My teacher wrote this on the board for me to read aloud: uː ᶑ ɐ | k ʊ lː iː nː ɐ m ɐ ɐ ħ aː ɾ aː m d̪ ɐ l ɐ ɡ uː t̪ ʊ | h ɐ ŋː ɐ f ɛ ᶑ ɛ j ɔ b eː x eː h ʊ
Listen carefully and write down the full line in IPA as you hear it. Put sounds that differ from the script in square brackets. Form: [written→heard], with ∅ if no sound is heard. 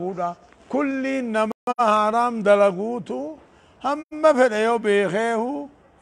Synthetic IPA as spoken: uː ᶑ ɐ | k ʊ lː iː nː ɐ m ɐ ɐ [ħ→h] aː ɾ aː m d̪ ɐ l ɐ ɡ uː t̪ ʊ | h ɐ [ŋː→mː] ɐ f ɛ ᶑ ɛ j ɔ b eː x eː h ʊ